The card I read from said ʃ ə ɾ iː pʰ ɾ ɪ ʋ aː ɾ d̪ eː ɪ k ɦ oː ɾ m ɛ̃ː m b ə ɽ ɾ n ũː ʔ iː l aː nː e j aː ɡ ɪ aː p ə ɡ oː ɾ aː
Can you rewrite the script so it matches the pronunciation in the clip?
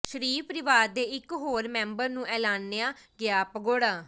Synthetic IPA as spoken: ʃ ə ɾ iː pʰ ɾ ɪ ʋ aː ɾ d̪ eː ɪ k ɦ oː ɾ m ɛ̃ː m b ə ɾ n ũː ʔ ɛː l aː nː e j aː ɡ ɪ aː p ə ɡ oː ɽ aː